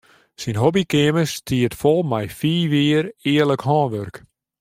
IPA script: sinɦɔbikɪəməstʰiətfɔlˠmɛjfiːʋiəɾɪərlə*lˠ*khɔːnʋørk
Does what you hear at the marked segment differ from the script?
yes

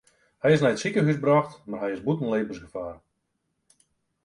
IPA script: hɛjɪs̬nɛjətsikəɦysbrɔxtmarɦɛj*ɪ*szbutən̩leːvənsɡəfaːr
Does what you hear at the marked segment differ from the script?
no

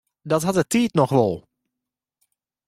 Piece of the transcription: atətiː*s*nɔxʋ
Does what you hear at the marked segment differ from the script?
yes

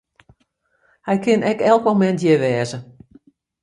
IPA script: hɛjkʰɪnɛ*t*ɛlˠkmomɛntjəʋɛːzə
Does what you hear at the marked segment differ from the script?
yes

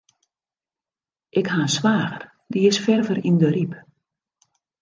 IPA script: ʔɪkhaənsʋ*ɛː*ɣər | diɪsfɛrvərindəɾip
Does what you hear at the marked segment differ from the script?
yes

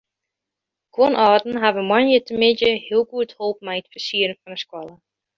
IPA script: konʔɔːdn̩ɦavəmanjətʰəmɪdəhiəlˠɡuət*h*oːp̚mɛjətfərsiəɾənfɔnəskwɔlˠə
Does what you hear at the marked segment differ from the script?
no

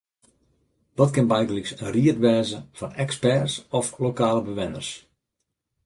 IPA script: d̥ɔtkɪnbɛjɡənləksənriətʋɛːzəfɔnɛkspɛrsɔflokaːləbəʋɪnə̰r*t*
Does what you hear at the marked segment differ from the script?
yes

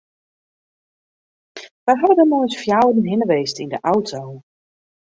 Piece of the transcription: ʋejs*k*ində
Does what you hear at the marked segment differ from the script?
yes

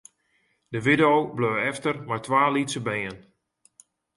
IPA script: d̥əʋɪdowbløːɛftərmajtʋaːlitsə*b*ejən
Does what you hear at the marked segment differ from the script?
no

